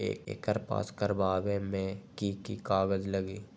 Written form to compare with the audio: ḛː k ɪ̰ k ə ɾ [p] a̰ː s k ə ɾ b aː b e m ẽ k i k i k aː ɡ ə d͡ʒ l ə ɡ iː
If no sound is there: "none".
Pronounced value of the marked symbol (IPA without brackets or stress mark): p